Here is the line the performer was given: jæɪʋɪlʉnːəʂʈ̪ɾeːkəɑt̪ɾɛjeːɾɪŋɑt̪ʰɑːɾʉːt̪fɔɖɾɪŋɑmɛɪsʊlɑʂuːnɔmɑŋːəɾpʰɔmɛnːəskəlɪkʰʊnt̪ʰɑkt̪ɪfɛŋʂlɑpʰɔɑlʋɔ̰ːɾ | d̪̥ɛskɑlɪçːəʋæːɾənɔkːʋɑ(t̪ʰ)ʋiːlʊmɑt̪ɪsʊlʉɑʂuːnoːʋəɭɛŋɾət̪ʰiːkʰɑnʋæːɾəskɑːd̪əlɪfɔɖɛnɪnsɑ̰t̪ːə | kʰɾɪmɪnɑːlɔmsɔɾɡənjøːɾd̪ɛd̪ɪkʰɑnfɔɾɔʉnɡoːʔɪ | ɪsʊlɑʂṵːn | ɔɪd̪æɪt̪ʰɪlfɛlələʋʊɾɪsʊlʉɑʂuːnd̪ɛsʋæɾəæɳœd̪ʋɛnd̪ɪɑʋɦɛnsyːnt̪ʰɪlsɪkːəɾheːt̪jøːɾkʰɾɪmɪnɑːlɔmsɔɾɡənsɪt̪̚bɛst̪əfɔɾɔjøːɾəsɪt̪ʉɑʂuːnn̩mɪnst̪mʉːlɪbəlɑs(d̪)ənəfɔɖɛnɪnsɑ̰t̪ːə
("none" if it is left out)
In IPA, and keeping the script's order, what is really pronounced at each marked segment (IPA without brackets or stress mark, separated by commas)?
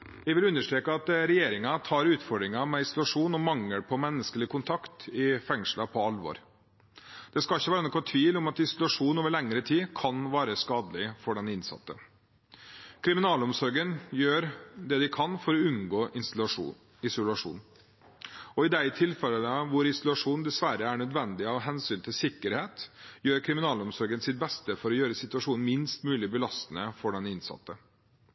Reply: t̪ʰ, t̪